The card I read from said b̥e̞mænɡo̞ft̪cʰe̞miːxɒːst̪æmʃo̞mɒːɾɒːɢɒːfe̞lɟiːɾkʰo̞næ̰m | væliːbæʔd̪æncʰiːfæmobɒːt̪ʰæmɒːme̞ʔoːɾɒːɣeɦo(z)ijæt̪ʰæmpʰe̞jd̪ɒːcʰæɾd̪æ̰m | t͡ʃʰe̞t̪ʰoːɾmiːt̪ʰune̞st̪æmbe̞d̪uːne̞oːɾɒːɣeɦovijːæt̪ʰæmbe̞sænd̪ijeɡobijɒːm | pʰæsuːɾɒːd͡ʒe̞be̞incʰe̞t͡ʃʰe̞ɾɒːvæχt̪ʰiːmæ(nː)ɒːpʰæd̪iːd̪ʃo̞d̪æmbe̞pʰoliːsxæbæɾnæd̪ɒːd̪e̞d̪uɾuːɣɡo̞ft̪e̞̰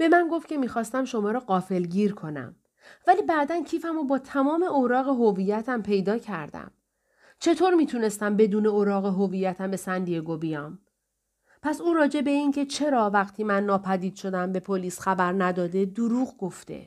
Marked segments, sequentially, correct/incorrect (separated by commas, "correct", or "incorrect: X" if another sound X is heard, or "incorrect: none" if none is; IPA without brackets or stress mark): incorrect: v, correct